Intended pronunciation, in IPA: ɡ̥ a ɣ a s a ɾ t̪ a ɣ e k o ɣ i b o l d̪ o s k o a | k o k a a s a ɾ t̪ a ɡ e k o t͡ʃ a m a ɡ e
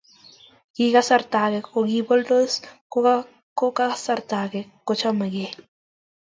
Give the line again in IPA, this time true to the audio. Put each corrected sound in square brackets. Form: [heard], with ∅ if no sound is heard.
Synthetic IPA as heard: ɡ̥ [i] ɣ a s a ɾ t̪ a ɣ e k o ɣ i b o l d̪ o s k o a | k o k a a s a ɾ t̪ a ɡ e k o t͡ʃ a m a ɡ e